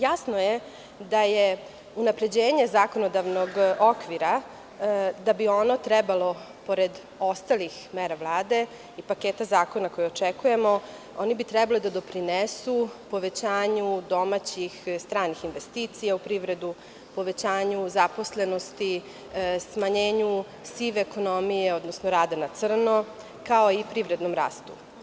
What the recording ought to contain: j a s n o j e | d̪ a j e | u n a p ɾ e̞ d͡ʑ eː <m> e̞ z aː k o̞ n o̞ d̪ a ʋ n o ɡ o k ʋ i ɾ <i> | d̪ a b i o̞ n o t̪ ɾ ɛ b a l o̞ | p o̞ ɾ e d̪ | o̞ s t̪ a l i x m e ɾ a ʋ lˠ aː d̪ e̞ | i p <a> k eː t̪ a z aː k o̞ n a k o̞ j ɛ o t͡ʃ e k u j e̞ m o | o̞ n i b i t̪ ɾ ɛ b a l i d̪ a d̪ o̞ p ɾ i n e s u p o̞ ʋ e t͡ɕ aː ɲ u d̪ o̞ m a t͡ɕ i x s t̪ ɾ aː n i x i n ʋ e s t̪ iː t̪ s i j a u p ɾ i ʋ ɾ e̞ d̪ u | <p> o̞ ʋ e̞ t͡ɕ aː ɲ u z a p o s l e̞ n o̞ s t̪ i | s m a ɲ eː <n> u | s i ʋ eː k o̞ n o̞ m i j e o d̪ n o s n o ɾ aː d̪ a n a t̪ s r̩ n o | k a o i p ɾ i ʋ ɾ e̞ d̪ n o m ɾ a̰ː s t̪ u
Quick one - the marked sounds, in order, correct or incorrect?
incorrect: ɲ, incorrect: a, correct, correct, incorrect: ɲ

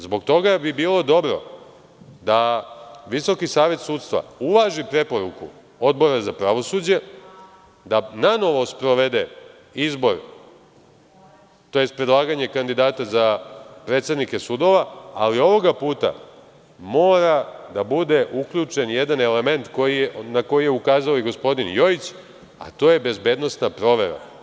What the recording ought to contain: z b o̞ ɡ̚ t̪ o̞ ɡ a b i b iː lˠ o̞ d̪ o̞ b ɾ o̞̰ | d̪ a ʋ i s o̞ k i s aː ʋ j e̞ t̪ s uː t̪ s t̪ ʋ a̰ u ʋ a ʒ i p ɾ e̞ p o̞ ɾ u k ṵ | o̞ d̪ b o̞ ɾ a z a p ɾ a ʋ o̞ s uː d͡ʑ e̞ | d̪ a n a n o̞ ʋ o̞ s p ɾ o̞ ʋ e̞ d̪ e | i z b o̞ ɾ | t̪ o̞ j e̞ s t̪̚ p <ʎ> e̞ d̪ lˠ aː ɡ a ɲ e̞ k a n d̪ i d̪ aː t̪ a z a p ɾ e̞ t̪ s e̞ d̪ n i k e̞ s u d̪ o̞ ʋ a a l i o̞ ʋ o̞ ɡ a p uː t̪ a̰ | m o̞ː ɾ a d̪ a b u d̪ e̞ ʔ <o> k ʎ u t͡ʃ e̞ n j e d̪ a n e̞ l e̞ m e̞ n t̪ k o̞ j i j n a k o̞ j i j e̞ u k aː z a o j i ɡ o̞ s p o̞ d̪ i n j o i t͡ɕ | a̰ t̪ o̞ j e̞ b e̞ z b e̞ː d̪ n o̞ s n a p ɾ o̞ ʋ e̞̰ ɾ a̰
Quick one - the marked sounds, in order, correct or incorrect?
incorrect: ɾ, incorrect: u

